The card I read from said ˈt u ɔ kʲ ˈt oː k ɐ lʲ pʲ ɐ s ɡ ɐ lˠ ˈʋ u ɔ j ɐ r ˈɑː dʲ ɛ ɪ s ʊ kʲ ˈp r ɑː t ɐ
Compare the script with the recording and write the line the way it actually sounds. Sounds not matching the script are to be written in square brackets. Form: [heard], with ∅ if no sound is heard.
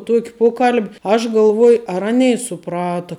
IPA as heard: ˈt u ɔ kʲ [ˈp] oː k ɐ lʲ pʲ ɐ [ʃ] ɡ ɐ lˠ ˈʋ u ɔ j ɐ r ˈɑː [nʲ] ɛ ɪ s ʊ [∅] ˈp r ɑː t ɐ